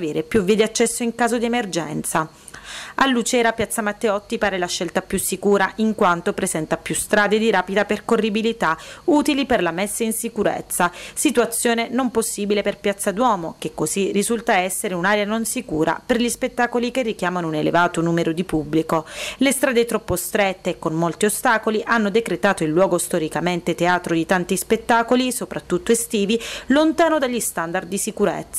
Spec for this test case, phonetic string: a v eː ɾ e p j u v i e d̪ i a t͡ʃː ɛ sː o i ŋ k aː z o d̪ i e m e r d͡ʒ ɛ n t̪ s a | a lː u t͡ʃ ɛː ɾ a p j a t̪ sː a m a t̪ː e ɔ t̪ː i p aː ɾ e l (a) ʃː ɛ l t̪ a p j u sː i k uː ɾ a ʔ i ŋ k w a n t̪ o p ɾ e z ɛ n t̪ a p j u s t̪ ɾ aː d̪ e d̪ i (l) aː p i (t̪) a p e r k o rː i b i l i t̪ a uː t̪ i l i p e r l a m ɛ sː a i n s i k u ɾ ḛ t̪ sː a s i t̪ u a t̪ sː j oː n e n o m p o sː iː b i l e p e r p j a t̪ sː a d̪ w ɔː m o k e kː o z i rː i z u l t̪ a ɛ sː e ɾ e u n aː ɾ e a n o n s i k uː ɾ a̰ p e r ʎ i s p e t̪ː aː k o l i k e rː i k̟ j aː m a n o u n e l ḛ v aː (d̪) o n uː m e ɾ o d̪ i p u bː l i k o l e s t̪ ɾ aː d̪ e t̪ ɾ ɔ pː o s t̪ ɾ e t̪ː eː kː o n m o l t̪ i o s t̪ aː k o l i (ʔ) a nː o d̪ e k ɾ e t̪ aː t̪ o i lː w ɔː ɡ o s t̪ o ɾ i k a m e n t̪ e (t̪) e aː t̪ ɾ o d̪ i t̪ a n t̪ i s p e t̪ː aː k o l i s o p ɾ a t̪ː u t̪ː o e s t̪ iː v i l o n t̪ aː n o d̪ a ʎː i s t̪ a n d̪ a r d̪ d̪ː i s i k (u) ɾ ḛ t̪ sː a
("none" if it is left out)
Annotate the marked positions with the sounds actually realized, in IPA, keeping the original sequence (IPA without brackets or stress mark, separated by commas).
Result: a, ɾ, d̪, t̪, ʔ, t̪, u